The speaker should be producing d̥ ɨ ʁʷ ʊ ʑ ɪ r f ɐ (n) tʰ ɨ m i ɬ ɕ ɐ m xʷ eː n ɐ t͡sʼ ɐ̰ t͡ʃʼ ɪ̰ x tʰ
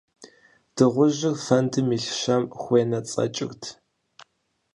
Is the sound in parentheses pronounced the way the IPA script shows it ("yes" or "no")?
yes